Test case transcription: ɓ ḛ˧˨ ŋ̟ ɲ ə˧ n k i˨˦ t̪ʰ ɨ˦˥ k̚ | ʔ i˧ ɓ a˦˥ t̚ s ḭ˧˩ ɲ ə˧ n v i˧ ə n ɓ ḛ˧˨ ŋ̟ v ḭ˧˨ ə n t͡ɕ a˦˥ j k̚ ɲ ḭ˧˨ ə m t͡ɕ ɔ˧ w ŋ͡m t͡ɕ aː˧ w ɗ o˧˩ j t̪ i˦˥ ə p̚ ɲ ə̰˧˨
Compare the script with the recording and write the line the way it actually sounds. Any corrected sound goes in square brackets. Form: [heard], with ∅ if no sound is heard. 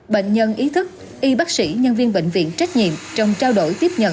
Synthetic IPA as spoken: ɓ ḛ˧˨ ŋ̟ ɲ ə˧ n [ʔ] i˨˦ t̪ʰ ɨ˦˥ k̚ | ʔ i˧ ɓ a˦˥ [k̚] s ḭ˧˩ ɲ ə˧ n v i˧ ə n ɓ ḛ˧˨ ŋ̟ v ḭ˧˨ ə n t͡ɕ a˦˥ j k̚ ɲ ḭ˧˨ ə m t͡ɕ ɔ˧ w ŋ͡m t͡ɕ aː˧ w ɗ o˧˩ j t̪ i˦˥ ə p̚ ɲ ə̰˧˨

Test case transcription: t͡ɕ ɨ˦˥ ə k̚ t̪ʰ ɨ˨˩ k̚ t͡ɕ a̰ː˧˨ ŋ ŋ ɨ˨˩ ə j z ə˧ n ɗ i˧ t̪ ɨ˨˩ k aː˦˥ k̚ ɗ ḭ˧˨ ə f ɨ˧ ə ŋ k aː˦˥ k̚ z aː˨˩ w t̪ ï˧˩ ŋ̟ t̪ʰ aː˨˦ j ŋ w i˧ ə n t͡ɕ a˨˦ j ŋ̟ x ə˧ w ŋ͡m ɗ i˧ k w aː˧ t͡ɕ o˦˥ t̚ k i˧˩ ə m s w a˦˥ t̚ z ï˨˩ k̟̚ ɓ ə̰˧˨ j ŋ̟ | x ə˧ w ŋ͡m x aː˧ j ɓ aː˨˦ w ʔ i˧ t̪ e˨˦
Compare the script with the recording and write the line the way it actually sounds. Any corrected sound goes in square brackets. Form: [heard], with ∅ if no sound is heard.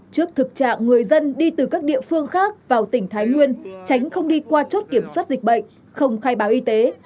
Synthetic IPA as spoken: t͡ɕ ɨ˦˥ ə k̚ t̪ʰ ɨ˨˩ k̚ t͡ɕ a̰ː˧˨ ŋ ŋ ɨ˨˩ ə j z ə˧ n ɗ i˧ t̪ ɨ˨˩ k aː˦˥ k̚ ɗ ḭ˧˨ ə f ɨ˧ ə ŋ [x] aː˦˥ k̚ [v] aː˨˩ w t̪ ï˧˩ ŋ̟ t̪ʰ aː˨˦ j ŋ w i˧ ə n t͡ɕ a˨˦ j ŋ̟ x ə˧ w ŋ͡m ɗ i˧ k w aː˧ t͡ɕ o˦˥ t̚ k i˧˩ ə m s w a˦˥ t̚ z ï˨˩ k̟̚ ɓ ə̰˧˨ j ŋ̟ | x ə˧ w ŋ͡m x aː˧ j ɓ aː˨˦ w ʔ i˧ t̪ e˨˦

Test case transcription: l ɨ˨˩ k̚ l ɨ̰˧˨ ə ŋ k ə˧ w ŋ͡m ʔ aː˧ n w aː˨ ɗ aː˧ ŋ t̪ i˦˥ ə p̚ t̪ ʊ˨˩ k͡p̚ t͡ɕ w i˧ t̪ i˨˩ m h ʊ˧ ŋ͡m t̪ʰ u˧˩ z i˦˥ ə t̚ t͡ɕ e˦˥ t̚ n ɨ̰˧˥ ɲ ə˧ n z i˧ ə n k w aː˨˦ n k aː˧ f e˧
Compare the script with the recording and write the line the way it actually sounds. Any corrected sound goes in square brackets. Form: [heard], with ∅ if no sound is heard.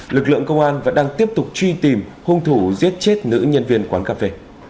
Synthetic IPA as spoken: l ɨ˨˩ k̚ l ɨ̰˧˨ ə ŋ k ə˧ w ŋ͡m ʔ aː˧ n [v] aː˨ ɗ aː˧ ŋ t̪ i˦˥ ə p̚ t̪ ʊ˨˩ k͡p̚ t͡ɕ w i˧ t̪ i˨˩ m h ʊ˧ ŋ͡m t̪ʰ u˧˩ z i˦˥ ə t̚ t͡ɕ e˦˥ t̚ n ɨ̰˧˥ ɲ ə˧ n [v] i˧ ə n k w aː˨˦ n k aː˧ f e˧

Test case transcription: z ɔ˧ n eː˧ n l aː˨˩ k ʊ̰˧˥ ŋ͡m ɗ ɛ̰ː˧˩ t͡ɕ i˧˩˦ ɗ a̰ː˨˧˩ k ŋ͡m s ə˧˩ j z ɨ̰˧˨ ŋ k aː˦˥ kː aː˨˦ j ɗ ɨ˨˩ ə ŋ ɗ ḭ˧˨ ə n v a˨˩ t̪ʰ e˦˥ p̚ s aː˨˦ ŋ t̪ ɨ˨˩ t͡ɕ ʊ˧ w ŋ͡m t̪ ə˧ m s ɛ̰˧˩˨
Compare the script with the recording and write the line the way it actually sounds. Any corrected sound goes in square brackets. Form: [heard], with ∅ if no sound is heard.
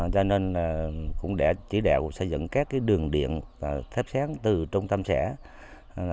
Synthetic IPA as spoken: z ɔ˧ n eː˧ n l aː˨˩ k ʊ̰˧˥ ŋ͡m ɗ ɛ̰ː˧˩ t͡ɕ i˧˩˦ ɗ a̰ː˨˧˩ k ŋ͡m s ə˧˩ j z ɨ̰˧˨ ŋ k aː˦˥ kː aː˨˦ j ɗ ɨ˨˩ ə ŋ ɗ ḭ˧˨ ə n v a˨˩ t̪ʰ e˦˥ p̚ s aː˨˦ ŋ t̪ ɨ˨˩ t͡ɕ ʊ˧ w ŋ͡m t̪ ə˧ m s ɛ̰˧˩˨

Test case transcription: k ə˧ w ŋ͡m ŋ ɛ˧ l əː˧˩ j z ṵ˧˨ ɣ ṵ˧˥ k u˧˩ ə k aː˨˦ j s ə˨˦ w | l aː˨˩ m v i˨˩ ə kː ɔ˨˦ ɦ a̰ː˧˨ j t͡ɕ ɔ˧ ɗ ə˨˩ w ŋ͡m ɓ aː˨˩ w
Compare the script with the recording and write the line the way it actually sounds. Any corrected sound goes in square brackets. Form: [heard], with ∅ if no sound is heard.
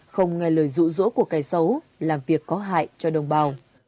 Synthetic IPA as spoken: [x] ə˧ w ŋ͡m ŋ ɛ˧ l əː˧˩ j z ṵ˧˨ [z] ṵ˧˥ k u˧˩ ə k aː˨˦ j s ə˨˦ w | l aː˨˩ m v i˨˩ ə kː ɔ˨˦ ɦ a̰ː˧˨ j t͡ɕ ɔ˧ ɗ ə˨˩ w ŋ͡m ɓ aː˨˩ w

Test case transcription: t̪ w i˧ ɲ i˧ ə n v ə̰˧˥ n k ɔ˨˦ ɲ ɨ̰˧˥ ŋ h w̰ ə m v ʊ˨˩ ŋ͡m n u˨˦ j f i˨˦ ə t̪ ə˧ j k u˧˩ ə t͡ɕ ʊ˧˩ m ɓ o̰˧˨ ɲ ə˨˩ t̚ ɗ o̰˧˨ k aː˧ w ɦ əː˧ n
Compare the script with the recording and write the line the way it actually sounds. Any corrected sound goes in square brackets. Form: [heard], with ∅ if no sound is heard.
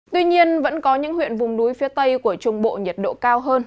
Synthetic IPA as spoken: t̪ w i˧ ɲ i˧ ə n v ə̰˧˥ n k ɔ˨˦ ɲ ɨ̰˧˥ ŋ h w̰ ə [n] v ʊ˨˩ ŋ͡m n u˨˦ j f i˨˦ ə t̪ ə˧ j k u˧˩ ə t͡ɕ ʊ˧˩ [ŋ͡m] ɓ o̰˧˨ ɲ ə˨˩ t̚ ɗ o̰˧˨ k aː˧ w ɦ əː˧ n

